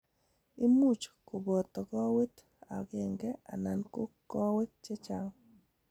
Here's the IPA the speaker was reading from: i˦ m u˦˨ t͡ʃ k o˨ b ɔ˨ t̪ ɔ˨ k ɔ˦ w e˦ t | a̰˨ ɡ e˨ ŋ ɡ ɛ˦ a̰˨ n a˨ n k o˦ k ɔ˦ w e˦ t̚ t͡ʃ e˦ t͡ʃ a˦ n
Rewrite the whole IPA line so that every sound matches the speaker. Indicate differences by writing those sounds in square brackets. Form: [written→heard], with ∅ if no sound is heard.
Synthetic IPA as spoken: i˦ m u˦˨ t͡ʃ k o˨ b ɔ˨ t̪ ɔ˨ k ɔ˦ w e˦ t | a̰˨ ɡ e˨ ŋ ɡ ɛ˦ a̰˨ n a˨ n k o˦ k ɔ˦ w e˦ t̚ t͡ʃ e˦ t͡ʃ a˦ [n→ŋ]

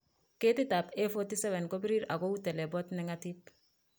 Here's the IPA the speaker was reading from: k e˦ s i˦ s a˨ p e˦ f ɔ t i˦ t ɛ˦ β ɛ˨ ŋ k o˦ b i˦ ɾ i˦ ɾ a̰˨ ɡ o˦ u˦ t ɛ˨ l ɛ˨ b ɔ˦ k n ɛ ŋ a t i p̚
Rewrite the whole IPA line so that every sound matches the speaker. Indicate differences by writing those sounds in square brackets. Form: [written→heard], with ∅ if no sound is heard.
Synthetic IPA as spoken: k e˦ [s→t] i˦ [s→t] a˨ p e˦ f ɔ t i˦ [t→s] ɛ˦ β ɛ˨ [ŋ→n] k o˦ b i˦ ɾ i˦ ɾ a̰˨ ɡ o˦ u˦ t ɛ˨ l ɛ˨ b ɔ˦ [k→t] n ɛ ŋ a t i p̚

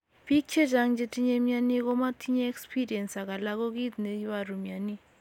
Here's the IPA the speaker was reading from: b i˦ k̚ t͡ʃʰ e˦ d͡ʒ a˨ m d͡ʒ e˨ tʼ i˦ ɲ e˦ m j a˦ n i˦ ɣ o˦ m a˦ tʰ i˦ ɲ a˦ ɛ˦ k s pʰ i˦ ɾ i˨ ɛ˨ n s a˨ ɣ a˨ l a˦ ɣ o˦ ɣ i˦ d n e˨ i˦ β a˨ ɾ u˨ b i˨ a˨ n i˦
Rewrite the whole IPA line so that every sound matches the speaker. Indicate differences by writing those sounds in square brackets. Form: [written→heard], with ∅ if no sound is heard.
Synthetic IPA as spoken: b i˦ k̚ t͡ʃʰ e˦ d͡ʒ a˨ [m→ŋ] d͡ʒ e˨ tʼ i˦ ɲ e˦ m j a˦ n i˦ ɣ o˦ m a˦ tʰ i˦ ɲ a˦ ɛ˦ k s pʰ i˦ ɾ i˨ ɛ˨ n s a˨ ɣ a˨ l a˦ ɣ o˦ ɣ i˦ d n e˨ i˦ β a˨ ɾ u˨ [b→m] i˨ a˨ n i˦

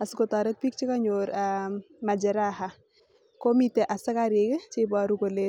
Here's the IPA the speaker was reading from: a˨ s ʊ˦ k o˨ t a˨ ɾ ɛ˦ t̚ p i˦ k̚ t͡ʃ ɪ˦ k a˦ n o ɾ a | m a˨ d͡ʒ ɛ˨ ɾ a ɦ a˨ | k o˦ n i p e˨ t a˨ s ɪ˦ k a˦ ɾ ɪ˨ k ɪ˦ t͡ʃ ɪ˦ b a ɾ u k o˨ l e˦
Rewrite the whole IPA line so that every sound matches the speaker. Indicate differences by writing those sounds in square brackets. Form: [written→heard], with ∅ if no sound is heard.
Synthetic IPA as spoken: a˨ s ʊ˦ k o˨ t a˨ ɾ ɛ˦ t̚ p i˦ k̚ t͡ʃ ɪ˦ k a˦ [n→ɲ] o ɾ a | m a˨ d͡ʒ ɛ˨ ɾ a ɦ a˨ | k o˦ [n→m] i [p→t] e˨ [t→ʔ] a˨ s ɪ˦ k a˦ ɾ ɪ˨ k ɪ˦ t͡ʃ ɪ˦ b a ɾ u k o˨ l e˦

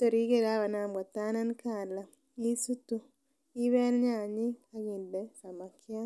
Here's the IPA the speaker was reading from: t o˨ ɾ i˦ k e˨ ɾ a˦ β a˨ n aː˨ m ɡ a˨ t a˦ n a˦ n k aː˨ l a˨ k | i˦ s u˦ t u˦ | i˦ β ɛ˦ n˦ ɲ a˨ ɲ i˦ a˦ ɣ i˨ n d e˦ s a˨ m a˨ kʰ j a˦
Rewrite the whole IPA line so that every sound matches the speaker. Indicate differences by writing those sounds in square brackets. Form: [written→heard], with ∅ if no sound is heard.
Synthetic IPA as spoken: t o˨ ɾ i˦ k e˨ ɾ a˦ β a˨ n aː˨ m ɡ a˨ t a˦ n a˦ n k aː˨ l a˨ [k→∅] | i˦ s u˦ t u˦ | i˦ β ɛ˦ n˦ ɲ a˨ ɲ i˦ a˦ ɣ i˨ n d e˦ s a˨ m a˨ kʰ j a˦

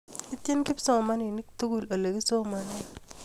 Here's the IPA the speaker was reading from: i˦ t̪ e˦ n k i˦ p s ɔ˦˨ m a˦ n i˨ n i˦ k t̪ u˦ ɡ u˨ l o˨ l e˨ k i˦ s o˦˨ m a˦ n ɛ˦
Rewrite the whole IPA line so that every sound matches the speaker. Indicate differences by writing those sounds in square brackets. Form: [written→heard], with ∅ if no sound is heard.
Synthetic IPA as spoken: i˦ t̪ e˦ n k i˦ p s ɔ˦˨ m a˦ n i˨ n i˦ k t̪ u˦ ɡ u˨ l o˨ l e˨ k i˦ s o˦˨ m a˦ n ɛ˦

